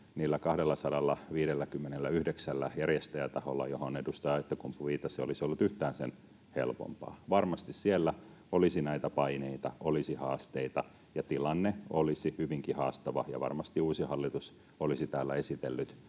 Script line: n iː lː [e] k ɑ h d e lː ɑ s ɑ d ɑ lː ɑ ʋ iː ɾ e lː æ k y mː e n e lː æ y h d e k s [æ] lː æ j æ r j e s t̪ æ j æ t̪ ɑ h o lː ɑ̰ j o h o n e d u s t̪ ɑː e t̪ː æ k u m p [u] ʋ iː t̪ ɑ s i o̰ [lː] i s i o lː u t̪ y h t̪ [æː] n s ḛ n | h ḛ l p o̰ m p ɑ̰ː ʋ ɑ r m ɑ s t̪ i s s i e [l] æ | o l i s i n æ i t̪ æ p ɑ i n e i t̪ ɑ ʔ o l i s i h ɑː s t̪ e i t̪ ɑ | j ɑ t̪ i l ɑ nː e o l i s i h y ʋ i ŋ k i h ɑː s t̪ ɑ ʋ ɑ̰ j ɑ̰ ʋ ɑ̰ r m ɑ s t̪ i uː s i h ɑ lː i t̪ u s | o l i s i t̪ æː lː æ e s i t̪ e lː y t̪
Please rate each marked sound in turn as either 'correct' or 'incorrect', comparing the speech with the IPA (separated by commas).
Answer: incorrect, correct, correct, incorrect, correct, incorrect